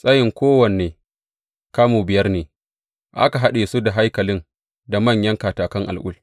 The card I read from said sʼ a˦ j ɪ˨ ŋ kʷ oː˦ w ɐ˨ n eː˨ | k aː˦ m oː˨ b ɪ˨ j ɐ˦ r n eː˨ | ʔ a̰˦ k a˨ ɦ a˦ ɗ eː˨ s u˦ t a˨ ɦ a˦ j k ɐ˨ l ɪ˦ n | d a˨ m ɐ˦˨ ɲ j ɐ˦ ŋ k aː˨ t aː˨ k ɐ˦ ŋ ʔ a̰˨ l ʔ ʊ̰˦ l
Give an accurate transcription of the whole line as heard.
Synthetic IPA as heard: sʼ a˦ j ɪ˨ ŋ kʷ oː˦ w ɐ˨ n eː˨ | k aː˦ m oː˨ b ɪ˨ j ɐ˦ r n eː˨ | ʔ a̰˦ k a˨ ɦ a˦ ɗ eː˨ s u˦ d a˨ ɦ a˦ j k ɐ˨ l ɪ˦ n | d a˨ m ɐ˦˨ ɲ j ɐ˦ ŋ k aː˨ t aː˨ k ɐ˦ ŋ ʔ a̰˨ l ʔ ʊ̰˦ l